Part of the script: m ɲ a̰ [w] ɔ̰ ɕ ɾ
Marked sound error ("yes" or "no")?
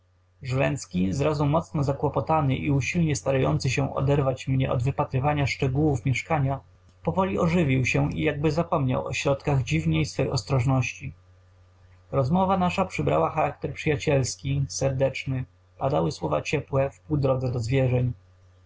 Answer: no